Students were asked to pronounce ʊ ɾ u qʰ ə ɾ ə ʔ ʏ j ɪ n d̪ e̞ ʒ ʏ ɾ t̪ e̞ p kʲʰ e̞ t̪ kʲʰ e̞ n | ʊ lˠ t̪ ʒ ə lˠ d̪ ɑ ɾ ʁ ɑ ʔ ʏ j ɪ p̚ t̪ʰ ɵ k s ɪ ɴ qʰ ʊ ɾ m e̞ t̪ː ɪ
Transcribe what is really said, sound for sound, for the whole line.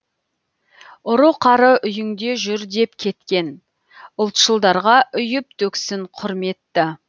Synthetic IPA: ʊ ɾ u qʰ ɑ ɾ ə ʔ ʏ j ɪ ŋ d̪ e̞ ʒ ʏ ɾ d̪ e̞ p kʲʰ e̞ t̪ kʲ e̞ n | ʊ lˠ t̪ ʃ ə lˠ d̪ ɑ ɾ ʁ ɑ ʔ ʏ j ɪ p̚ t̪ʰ ɵ k s ɪ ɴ qʰ ʊ ɾ m e̞ t̪ː ɪ

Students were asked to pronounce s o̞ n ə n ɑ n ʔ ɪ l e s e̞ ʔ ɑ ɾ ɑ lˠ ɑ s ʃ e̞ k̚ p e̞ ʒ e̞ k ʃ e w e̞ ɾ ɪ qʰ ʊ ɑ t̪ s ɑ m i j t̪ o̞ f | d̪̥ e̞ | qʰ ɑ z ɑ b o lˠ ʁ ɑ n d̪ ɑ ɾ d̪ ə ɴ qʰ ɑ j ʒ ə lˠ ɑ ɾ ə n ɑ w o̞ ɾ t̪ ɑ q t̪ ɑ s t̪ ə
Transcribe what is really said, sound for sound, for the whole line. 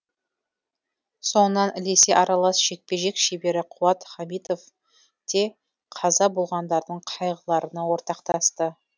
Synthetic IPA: s o̞ n ə n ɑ n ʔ ɪ l e s e̞ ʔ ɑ ɾ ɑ lˠ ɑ s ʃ e̞ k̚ p e̞ ʒ e̞ k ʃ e b e̞ ɾ ɪ qʰ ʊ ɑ t̪ χ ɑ m i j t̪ o̞ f | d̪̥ e̞ | qʰ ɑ z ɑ b o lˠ ʁ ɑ n d̪ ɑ ɾ d̪ ə ɴ qʰ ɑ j ʁ ə lˠ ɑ ɾ ə n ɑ w o̞ ɾ t̪ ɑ q t̪ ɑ s t̪ ə

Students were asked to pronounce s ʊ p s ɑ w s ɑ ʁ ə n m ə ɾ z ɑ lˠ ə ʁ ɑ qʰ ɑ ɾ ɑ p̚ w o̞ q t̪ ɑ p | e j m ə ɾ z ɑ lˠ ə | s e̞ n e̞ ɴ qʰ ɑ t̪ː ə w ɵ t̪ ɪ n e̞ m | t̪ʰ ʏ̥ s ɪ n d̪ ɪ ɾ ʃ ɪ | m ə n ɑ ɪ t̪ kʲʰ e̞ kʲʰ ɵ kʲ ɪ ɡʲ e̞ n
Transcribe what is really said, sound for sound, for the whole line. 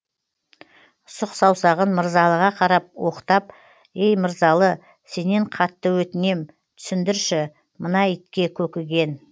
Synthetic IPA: s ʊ q s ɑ w s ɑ ʁ ə n m ə ɾ z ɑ lˠ ə ʁ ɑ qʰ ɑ ɾ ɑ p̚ w o̞ q t̪ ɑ p | e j m ə ɾ z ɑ lˠ ə | s e̞ n e̞ ɴ qʰ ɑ t̪ː ə w ɵ t̪ ɪ n e̞ m | t̪ʰ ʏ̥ s ɪ n d̪ ɪ ɾ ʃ ɪ | m ə n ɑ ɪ t̪ kʲ e̞ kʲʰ ɵ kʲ ɪ ɡʲ e̞ n

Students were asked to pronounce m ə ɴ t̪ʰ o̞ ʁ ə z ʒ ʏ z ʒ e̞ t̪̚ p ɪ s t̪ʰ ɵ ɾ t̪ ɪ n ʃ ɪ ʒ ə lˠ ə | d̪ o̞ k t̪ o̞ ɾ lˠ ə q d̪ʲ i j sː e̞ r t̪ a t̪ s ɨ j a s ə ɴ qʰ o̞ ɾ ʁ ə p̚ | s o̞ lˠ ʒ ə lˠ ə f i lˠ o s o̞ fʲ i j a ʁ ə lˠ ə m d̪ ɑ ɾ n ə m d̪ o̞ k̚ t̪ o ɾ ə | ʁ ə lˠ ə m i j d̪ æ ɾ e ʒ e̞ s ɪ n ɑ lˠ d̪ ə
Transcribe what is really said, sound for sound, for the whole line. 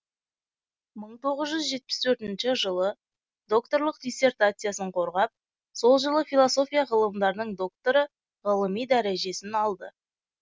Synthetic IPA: m ə ɴ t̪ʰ o̞ ʁ ə z ʒ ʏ z ʒ e̞ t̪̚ p ɪ s t̪ʰ ɵ ɾ t̪ ɪ n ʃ ɪ ʒ ə lˠ ə | d̪ o̞ k t̪ o̞ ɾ lˠ ə q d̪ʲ i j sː e̞ r t̪ a t̪ s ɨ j a s ə ɴ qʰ o̞ ɾ ʁ ɑ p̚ | s o̞ lˠ ʒ ə lˠ ə f i lˠ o s o̞ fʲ i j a ʁ ə lˠ ə m d̪ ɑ ɾ n ə ɴ d̪ o̞ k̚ t̪ o ɾ ə | ʁ ə lˠ ə m i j d̪ æ ɾ e ʒ e̞ s ɪ n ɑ lˠ d̪ ə

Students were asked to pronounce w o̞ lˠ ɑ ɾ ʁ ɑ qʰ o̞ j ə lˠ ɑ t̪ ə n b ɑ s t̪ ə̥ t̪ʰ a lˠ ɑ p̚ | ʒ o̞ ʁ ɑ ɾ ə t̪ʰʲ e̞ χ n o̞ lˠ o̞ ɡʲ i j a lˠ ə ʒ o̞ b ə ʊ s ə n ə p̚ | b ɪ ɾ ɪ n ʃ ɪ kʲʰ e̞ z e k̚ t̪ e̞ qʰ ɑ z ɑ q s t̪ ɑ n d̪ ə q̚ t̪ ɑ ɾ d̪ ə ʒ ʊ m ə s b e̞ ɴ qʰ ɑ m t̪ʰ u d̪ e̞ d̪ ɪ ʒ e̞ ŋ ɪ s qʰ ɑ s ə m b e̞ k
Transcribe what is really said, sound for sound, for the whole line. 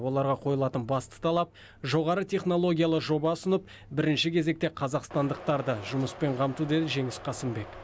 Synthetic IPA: w o̞ lˠ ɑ ɾ ʁ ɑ qʰ o̞ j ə lˠ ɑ t̪ ə n b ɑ s t̪ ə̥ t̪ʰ ɑ lˠ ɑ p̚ | ʒ o̞ ʁ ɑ ɾ ə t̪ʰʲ e̞ χ n o̞ lˠ o̞ ɡʲ i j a lˠ ə ʒ o̞ b ɑ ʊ s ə n ə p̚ | b ɪ ɾ ɪ n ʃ ɪ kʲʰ e̞ z e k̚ t̪ e̞ qʰ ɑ z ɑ q s t̪ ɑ n d̪ ə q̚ t̪ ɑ ɾ d̪ ə ʒ ʊ m ə s p e̞ ɴ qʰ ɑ m t̪ u d̪ e̞ d̪ ɪ ʒ e̞ ŋ ɪ s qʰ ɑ s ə m b e̞ k

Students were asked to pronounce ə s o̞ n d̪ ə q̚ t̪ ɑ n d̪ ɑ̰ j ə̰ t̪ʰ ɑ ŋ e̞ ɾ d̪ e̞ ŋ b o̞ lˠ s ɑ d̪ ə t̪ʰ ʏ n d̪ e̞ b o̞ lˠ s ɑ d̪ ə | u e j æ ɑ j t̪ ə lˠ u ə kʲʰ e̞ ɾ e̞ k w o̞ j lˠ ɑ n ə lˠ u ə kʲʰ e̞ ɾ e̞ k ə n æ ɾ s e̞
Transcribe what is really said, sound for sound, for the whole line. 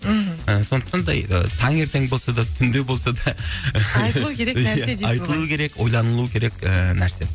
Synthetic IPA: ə s o̞ n d̪ ə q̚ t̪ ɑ n d̪ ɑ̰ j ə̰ t̪ʰ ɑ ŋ e̞ ɾ t̪ e̞ ŋ b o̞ lˠ s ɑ d̪ ɑ t̪ʰ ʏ n d̪ e̞ b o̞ lˠ s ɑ d̪ ɑ | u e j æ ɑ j t̪ ə lˠ u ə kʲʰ e̞ ɾ e̞ k w o̞ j lˠ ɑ n ə lˠ u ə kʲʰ e̞ ɾ e̞ k ə n æ ɾ s e̞

